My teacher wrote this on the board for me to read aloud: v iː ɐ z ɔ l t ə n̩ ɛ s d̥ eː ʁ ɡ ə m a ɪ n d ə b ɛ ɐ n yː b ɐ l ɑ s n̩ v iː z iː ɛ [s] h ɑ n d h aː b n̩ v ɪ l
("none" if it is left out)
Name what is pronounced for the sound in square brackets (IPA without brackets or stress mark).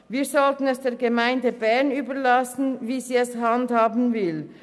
s